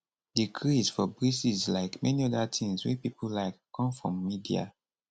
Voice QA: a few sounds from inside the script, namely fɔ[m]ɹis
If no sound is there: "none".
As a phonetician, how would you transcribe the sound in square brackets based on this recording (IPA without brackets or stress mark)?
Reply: b